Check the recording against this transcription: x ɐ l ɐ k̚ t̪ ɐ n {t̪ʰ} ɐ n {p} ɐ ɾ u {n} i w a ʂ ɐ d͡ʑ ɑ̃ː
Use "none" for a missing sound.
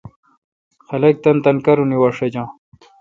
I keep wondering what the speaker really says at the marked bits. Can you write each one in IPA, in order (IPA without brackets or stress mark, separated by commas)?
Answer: t̪, k, n